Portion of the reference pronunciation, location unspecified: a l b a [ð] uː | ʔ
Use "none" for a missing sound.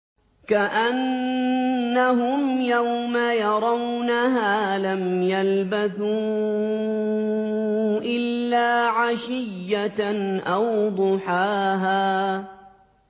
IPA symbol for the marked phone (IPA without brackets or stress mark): θ